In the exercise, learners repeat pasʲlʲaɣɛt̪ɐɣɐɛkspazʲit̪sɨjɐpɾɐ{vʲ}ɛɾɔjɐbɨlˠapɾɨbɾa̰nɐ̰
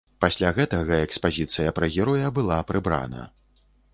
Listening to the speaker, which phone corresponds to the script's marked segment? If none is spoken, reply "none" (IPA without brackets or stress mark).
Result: ɣʲ